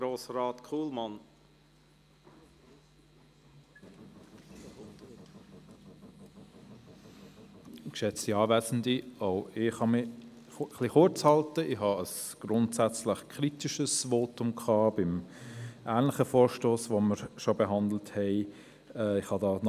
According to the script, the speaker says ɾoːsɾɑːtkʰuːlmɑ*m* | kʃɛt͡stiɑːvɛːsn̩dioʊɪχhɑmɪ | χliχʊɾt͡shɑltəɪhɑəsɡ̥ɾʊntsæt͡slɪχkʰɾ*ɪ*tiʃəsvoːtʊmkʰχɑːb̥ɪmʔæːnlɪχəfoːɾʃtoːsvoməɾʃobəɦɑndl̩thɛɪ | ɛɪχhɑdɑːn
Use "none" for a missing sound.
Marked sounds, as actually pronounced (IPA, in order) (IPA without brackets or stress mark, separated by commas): n, i